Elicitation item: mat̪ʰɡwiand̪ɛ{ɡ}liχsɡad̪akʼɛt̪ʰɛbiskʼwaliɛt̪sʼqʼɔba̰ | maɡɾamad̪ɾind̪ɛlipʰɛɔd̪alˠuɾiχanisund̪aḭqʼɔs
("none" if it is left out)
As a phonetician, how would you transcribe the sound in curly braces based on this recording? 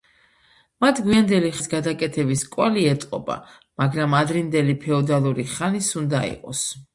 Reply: none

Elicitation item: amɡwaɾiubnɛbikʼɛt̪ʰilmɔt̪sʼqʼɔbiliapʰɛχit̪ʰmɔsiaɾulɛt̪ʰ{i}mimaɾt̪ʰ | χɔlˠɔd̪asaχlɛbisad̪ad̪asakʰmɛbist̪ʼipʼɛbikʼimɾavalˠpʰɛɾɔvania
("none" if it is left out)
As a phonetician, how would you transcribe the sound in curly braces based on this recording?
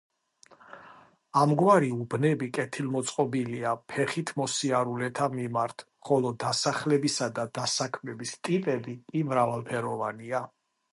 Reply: a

